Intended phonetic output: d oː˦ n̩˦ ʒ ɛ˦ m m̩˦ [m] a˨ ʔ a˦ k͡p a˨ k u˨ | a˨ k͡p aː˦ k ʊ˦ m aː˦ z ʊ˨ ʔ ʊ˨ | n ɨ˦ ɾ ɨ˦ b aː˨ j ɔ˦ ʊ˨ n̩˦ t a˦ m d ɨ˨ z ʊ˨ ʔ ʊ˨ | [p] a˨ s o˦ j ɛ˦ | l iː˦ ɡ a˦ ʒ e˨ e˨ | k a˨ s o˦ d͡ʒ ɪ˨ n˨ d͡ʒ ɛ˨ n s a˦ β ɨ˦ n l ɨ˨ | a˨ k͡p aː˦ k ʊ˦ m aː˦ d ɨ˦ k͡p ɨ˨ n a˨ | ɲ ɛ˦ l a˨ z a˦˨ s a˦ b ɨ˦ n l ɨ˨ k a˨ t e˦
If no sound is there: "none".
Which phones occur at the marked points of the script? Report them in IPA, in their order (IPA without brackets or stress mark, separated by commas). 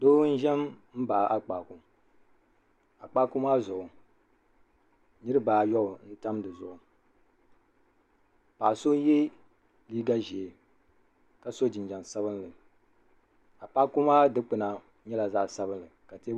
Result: b, p